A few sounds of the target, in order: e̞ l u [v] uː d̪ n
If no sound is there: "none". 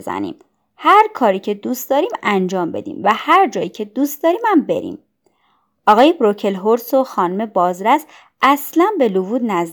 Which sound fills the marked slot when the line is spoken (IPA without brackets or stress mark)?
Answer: v